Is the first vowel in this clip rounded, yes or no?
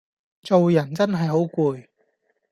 yes